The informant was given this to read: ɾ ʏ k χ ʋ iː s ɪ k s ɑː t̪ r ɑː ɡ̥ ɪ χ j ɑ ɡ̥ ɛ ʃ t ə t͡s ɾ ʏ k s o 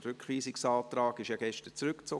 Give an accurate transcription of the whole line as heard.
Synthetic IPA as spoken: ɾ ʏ k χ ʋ iː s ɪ k s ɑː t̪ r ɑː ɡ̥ ɪ ʃ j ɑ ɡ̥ ɛ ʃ t ə t͡s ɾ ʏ k t͡s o

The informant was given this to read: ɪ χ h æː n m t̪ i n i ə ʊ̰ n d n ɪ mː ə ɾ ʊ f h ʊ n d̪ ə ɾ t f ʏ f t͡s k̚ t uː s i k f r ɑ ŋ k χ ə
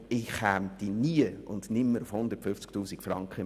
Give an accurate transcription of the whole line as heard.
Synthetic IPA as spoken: ɪ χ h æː m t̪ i n i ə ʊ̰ n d n ɪ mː ə ɾ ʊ f h ʊ n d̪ ə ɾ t f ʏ f t͡s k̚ t uː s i k f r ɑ ŋ k χ ə

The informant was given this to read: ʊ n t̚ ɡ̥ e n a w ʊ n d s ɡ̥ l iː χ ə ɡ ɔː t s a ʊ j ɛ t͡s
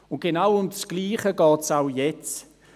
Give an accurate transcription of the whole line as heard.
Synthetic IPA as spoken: ʊ n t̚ ɡ̥ e n a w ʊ m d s ɡ̥ l iː χ ə ɡ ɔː t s a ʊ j ɛ t͡s

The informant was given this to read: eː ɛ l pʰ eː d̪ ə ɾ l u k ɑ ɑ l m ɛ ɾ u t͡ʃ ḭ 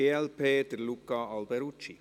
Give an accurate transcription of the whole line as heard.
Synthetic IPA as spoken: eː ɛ l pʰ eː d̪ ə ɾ l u k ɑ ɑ l b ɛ ɾ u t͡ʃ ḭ

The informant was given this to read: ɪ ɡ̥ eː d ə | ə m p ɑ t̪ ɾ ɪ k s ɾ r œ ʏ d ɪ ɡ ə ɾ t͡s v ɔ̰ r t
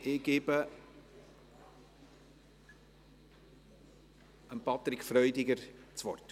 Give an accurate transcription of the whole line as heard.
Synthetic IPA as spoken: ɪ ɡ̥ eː b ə | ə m p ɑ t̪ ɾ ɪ k f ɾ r œ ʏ d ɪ ɡ ə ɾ t͡s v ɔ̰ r t

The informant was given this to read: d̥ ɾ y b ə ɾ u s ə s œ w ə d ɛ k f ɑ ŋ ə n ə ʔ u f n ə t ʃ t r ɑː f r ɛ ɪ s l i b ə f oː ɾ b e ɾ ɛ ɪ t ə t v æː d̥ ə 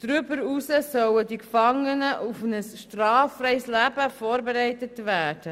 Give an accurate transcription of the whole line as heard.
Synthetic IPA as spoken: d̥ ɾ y b ə ɾ u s ə s œ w ə d i k f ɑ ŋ ə n ə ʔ u f n ə s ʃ t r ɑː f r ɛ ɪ s l æ b ə f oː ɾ b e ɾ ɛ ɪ t ə t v æː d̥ ə

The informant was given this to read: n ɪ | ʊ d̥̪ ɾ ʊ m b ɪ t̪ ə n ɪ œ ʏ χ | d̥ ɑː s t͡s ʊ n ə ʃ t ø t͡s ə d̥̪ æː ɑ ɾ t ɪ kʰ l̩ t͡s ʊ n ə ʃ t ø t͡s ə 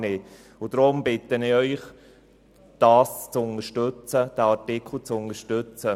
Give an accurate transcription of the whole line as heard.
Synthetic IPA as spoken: n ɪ | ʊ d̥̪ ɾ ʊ m b ɪ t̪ ə n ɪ œ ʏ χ | d̥ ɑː s t͡s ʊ n ə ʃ t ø t͡s ə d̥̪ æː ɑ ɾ t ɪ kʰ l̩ t͡s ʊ n ə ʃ t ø t͡s ə

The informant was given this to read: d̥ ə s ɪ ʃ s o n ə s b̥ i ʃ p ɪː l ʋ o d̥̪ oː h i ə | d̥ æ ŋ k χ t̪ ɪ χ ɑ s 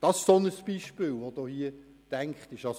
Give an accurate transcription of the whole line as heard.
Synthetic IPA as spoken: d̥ ɑ s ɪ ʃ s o n ə s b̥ i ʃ p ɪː l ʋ o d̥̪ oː h i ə | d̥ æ ŋ k χ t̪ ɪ ʃ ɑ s

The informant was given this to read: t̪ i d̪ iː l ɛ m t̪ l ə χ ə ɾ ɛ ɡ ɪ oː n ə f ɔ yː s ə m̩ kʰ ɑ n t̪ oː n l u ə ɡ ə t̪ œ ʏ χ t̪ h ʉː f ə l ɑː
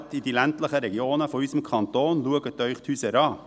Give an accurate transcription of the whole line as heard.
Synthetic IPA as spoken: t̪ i d̪ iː l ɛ n t̪ l ə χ ə ɾ ɛ ɡ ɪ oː n ə f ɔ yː s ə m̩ kʰ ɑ n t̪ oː n l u ə ɡ ə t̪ œ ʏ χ t̪ h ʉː s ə ɾ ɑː

